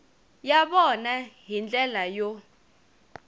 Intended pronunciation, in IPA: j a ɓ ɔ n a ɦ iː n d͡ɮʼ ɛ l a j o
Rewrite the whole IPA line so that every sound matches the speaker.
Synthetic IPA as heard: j a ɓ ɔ n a ɦ i n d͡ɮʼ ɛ l a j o

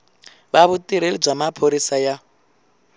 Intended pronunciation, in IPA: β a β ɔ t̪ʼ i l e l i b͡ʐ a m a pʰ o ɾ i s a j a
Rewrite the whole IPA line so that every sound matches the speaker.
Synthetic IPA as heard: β a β u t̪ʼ i ɾ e l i b͡ʐ a m a pʰ o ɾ i s a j a

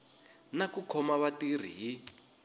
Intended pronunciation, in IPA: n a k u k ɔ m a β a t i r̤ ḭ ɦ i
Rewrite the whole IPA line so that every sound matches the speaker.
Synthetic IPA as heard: n a k u kʰ ɔ m a β a t i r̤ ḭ ɦ i

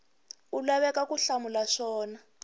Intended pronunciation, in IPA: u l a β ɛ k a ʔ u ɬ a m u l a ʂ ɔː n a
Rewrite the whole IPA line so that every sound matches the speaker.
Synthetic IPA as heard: u l a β ɛ k a k u ɬ a m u l a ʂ ɔː n a

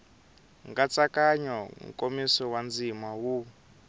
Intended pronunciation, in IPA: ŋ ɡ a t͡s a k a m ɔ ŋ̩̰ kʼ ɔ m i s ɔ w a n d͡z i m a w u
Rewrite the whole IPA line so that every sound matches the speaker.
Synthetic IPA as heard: ŋ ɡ a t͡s a k a ɲ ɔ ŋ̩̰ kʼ o m i s ɔ w a n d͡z i m a w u

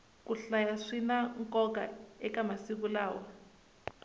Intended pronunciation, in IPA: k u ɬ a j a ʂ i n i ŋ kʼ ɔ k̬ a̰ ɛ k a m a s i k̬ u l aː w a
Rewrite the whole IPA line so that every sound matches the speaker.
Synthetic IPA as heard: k u ɬ a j a ʂ i n a ŋ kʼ ɔ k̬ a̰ ɛ k a m a s i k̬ u l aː w a

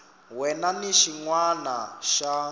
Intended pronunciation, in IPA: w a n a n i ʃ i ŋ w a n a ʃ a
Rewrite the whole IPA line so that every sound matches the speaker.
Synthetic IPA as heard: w ɛ n a n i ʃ i ŋ w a n a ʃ a

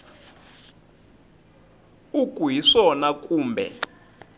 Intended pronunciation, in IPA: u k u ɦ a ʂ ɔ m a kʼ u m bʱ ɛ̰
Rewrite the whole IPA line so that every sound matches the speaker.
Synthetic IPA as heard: u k u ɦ i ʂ ɔ n a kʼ uː m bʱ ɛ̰

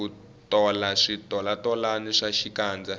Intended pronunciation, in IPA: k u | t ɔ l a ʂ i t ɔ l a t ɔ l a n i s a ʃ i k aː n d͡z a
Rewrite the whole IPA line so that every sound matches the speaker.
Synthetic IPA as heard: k u | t ɔ l a ʂ i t ɔ l a t ɔ l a n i ʂ a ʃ i k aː n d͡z a

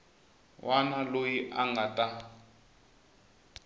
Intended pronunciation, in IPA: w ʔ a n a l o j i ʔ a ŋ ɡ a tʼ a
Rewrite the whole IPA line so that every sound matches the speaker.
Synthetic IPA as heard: w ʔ a n a l o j i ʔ a ŋ ɡ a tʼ a

